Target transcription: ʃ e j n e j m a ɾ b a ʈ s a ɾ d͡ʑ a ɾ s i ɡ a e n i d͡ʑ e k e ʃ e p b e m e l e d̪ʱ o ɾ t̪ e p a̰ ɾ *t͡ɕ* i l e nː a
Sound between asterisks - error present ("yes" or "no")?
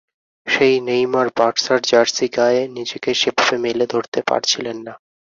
yes